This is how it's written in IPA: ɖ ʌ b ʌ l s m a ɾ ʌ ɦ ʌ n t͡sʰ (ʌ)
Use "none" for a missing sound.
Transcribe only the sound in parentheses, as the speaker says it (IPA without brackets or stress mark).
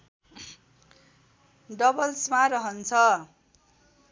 ʌ